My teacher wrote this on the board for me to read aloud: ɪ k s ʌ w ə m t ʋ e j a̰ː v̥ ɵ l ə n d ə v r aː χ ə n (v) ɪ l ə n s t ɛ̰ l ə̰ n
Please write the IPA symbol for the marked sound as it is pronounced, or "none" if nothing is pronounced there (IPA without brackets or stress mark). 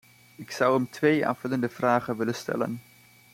ʋ